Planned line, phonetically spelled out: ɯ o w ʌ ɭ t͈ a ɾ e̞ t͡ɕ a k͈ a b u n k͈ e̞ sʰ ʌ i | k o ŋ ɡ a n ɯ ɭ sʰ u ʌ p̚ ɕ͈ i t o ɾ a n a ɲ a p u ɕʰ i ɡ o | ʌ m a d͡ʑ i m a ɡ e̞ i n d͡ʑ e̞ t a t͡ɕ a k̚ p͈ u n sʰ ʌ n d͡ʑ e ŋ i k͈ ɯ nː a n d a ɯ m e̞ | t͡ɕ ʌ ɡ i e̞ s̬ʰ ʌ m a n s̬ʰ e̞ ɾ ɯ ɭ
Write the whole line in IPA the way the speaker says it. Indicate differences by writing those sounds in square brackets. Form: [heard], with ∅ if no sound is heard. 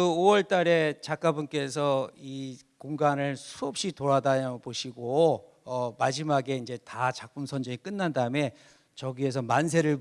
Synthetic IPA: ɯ o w ʌ ɭ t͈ a ɾ e̞ t͡ɕ a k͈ a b u n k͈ e̞ sʰ ʌ i | k o ŋ ɡ a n ɯ ɭ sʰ u ʌ p̚ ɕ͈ i t o ɾ a [d] a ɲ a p [o] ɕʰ i ɡ o | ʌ m a d͡ʑ i m a ɡ e̞ i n d͡ʑ e̞ t a t͡ɕ a k̚ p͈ u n sʰ ʌ n d͡ʑ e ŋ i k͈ ɯ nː a n d a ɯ m e̞ | t͡ɕ ʌ ɡ i e̞ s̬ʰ ʌ m a n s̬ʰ e̞ ɾ ɯ ɭ